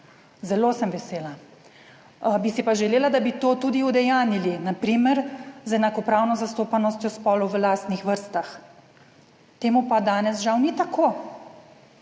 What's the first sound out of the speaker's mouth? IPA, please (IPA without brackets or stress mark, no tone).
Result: z